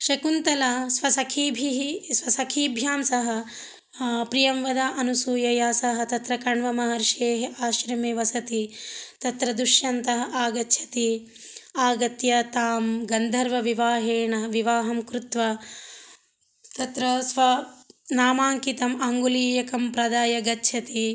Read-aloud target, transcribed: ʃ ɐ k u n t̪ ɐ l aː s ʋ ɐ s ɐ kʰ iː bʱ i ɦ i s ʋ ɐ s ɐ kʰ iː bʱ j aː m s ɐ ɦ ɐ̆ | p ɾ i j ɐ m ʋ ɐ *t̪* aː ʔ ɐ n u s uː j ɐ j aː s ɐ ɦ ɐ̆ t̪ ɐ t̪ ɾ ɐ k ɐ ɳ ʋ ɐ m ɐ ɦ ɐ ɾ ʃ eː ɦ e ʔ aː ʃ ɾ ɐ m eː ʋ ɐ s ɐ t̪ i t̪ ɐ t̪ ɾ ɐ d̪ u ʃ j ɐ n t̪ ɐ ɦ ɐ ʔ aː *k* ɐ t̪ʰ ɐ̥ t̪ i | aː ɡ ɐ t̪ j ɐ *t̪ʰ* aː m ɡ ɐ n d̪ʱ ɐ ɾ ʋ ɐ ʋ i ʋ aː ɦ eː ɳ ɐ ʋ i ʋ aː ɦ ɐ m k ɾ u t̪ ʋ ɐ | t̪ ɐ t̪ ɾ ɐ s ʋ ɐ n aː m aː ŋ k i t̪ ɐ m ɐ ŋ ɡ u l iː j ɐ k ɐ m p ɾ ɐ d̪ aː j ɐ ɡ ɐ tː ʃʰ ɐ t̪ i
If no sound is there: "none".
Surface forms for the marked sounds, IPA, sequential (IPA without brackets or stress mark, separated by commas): d̪, ɡ, t̪